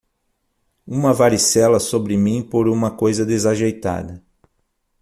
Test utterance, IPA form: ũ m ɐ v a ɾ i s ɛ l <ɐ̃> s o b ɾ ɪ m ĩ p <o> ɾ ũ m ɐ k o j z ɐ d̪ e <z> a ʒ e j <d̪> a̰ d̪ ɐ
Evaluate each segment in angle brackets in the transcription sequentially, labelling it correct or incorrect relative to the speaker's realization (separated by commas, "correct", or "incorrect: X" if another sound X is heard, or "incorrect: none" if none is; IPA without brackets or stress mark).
incorrect: ɐ, correct, correct, incorrect: t̪